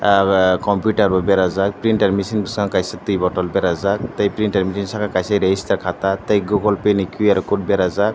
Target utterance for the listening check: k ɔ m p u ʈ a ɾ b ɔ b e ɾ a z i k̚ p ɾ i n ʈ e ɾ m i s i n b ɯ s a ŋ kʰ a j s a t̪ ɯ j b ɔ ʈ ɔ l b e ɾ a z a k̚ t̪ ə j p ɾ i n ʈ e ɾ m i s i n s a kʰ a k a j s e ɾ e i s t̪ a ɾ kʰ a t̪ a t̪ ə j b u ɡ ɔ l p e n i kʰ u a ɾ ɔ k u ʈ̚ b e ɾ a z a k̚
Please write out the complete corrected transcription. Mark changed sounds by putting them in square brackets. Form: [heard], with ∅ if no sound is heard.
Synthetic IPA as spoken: k ɔ m p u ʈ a ɾ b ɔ b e ɾ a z [a] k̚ p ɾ i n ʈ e ɾ m i s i n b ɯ s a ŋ [k] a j s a t̪ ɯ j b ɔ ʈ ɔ l b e ɾ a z a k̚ t̪ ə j p ɾ i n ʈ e ɾ m i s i n s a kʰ a k a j s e ɾ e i s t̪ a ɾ kʰ a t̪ a t̪ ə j [ɡ] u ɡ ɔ l p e n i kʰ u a ɾ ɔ k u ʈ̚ b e ɾ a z a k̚